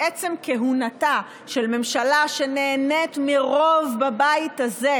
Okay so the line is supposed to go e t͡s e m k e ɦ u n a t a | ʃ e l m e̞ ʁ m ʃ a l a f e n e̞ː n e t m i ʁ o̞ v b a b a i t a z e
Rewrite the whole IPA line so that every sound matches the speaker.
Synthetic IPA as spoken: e t͡s e m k e ɦ u n a t a | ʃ e l m e̞ m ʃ a l a ʃ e n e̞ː n e t m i ʁ o̞ v b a b a i t a z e

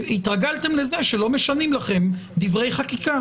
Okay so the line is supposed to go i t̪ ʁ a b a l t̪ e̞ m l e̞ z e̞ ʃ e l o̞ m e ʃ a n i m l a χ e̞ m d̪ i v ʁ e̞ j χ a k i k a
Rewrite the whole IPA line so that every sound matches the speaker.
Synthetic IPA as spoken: i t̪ ʁ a ɡ a l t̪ e̞ m l e̞ z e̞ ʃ e l o̞ m e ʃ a n i m l a χ e̞ m d̪ i v ʁ e̞ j χ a k i k a

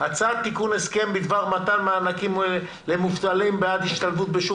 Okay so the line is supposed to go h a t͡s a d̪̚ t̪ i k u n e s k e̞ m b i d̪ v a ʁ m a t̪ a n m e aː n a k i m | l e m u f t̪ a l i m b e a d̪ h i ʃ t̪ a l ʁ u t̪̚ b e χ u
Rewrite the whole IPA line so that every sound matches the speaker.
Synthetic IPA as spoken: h a t͡s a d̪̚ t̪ i k u n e s k e̞ m b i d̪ v a ʁ m a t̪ a n m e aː n a k i m | l e m u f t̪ a l i m b e a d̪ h i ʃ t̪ a l v u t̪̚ b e ʃ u

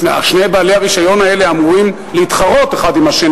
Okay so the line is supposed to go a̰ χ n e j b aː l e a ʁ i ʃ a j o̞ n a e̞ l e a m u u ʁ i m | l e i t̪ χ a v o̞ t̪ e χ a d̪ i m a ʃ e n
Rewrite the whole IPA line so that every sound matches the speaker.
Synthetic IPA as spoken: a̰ ʃ n e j b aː l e a ʁ i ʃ a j o̞ n a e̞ l e a m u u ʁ i m | l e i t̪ χ a ʁ o̞ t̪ e χ a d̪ i m a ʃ e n

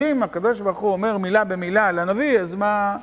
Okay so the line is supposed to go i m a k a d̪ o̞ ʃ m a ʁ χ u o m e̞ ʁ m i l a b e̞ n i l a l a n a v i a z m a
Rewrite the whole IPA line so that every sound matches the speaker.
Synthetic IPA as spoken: i m a k a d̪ o̞ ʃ b a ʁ χ u o m e̞ ʁ m i l a b e̞ m i l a l a n a v i a z m a

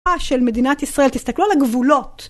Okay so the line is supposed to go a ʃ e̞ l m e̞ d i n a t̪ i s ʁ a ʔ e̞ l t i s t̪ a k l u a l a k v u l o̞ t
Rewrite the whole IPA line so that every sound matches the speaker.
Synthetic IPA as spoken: a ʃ e̞ l m e̞ d i n a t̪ i s ʁ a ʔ e̞ l t i s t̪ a k l u a l a ɡ v u l o̞ t

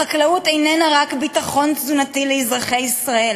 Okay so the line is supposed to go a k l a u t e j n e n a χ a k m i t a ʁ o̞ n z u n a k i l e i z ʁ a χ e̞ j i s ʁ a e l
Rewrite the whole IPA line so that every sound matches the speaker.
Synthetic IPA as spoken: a k l a u t e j n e n a ʁ a k b i t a χ o̞ n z u n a t i l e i z ʁ a χ e̞ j i s ʁ a e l

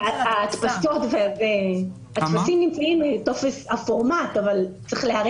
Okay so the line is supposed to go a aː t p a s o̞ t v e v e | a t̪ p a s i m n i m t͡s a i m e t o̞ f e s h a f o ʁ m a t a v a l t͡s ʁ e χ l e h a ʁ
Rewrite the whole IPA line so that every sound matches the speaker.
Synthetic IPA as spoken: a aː t p a s o̞ t v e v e | a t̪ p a s i m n i m t͡s a i m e t o̞ f e s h a f o ʁ m a t a v a l t͡s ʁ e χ l e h a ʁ

